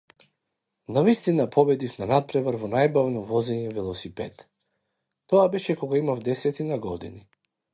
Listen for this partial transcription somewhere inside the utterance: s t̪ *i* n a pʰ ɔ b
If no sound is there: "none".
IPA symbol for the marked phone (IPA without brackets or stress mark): i